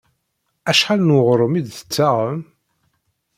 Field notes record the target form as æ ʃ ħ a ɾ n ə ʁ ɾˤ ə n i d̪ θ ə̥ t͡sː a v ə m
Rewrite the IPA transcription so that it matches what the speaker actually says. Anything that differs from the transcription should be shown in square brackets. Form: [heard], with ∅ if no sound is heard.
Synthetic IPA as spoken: æ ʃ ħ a [l] n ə ʁ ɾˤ ə [m] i d̪ θ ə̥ t͡sː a [ʁ] ə m